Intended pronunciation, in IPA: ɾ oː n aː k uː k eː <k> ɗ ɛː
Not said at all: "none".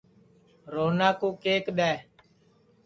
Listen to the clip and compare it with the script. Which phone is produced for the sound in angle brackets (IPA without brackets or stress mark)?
k